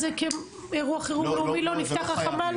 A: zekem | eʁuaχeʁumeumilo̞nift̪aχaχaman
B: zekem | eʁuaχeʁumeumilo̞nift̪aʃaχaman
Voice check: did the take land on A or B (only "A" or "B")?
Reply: A